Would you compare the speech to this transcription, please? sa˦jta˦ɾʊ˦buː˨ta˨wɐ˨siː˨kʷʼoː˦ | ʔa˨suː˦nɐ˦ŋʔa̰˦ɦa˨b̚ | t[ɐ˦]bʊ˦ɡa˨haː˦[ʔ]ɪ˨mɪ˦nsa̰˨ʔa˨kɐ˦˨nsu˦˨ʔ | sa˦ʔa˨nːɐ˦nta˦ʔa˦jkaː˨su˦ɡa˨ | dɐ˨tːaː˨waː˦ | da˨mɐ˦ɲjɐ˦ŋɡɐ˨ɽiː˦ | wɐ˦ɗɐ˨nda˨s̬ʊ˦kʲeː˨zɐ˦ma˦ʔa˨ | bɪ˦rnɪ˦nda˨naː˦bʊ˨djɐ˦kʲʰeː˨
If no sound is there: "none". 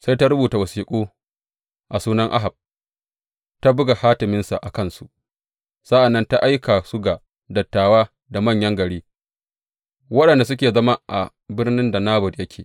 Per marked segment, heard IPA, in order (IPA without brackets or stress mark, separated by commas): a˦, t